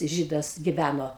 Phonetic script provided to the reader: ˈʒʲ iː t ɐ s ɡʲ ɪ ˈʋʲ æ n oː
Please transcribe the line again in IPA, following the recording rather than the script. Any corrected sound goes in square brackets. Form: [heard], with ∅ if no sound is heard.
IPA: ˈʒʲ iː [d] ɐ s ɡʲ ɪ ˈʋʲ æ n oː